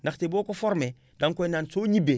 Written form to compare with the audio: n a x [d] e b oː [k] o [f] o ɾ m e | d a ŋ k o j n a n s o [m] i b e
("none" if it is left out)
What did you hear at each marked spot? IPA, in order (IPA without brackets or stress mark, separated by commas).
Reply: t, k, f, ɲ